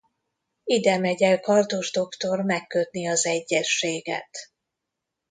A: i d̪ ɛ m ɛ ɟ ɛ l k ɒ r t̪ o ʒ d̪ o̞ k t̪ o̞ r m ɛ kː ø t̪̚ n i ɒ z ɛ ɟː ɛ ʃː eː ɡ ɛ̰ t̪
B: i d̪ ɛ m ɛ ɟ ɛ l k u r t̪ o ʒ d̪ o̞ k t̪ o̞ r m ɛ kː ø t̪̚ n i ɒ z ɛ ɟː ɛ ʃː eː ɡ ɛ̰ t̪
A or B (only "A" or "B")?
A